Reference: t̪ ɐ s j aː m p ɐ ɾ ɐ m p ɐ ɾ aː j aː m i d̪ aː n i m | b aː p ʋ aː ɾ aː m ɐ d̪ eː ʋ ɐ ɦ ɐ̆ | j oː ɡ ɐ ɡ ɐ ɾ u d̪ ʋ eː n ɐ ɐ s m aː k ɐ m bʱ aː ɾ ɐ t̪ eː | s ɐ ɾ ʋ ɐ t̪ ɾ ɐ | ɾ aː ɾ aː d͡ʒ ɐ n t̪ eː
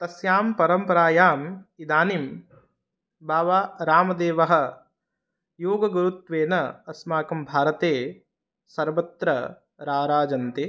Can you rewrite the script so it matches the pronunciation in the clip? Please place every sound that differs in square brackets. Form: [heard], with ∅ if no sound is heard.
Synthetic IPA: t̪ ɐ s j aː m p ɐ ɾ ɐ m p ɐ ɾ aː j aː m i d̪ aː n i m | b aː [∅] ʋ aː ɾ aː m ɐ d̪ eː ʋ ɐ ɦ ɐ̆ | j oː ɡ ɐ ɡ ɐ ɾ u [t̪] ʋ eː n ɐ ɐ s m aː k ɐ m bʱ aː ɾ ɐ t̪ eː | s ɐ ɾ ʋ ɐ t̪ ɾ ɐ | ɾ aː ɾ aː d͡ʒ ɐ n t̪ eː

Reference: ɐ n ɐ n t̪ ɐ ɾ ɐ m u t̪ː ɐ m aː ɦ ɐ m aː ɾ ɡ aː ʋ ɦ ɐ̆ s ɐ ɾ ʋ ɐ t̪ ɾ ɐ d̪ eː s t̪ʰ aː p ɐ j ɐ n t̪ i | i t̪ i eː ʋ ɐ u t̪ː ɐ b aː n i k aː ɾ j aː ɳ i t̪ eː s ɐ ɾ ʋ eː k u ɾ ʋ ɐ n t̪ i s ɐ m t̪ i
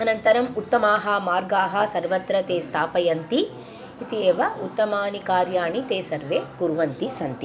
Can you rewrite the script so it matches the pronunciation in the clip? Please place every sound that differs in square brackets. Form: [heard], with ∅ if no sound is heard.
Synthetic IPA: ɐ n ɐ n t̪ ɐ ɾ ɐ m u t̪ː ɐ m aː ɦ ɐ m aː ɾ ɡ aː [∅] ɦ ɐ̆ s ɐ ɾ ʋ ɐ t̪ ɾ ɐ [t̪] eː s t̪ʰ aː p ɐ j ɐ n t̪ i | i t̪ i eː ʋ ɐ u t̪ː ɐ [m] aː n i k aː ɾ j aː ɳ i t̪ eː s ɐ ɾ ʋ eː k u ɾ ʋ ɐ n t̪ i s ɐ [n] t̪ i

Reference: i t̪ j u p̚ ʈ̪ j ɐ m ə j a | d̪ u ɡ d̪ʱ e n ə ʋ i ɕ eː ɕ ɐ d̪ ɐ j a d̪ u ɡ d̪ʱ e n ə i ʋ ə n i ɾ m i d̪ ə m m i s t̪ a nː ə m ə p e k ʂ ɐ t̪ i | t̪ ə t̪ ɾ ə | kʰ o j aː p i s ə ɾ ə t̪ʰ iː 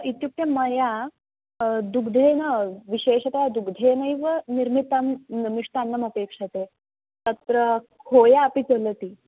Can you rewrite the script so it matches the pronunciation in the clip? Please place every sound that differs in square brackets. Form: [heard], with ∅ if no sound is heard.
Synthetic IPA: i t̪ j u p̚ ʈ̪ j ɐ m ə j a | d̪ u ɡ d̪ʱ e n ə ʋ i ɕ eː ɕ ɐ [t̪] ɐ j a d̪ u ɡ d̪ʱ e n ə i ʋ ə n i ɾ m i [t̪] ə m m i [ʂ] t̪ a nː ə m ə p e k ʂ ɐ t̪ [e] | t̪ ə t̪ ɾ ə | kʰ o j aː p i [t͡s] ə [l] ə [t̪] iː

